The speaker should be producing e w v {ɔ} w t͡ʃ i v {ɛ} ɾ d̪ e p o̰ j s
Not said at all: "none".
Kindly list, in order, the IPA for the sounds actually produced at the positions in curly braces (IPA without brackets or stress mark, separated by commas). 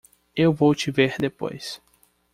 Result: o, e